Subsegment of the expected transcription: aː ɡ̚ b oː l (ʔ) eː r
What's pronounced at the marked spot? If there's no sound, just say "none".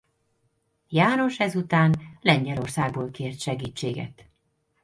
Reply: k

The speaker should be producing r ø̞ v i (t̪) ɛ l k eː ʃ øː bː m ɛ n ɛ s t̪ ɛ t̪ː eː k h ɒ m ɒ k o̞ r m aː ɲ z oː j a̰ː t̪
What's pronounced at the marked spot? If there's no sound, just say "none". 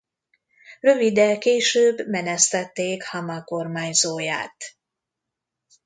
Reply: d̪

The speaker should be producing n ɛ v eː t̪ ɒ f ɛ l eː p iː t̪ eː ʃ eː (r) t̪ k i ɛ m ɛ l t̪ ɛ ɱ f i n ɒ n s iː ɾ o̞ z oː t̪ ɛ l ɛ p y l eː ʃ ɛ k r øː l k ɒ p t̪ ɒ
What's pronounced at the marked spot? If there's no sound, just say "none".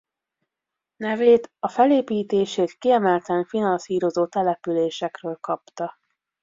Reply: none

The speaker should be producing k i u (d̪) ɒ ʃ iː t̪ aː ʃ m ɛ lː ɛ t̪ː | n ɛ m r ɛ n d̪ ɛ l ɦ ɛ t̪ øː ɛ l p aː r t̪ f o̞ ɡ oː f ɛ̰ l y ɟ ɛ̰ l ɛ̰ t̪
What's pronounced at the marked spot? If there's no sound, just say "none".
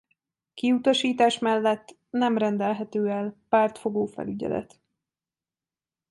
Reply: t̪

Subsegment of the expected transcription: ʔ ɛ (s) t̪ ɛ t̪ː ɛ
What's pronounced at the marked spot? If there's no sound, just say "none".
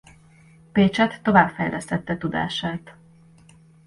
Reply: s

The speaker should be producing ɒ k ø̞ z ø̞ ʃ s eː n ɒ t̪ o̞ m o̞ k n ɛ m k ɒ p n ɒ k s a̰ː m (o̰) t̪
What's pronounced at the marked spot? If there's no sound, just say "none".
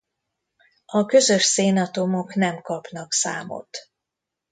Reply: o̰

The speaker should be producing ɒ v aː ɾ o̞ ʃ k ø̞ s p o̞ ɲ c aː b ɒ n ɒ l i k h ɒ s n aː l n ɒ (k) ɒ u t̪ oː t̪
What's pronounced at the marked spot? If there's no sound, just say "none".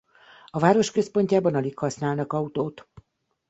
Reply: k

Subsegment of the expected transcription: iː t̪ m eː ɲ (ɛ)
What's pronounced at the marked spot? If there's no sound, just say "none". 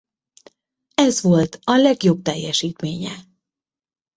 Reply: ɛ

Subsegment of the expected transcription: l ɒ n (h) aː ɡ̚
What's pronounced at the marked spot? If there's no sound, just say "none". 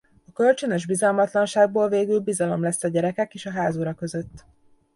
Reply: ʃ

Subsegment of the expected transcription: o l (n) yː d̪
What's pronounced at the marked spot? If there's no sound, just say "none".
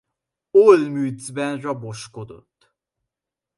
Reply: m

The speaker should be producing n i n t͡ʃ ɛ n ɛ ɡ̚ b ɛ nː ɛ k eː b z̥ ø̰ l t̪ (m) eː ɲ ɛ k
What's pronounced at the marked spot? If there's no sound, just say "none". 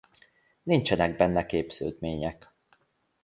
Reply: m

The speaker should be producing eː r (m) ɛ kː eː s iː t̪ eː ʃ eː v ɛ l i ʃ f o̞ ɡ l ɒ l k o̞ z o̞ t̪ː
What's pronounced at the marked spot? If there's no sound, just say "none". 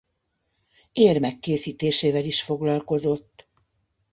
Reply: m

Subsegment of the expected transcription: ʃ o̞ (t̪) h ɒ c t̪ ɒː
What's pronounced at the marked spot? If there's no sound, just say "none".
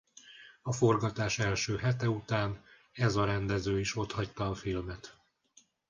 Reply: t̪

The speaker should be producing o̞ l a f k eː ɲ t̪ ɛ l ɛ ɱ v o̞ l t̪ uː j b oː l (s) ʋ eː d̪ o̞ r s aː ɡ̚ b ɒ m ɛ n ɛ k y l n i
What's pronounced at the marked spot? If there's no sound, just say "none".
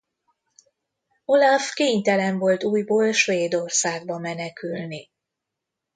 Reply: ʃ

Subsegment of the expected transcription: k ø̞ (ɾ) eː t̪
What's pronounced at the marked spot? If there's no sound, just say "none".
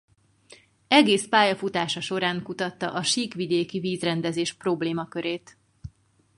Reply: ɾ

